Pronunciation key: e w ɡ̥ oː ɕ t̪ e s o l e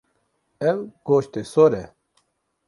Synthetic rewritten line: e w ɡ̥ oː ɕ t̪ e s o ɾ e